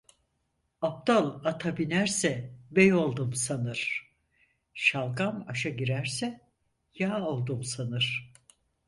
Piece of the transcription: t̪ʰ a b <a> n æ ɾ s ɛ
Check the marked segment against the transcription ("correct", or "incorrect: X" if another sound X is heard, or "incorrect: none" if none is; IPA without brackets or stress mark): incorrect: i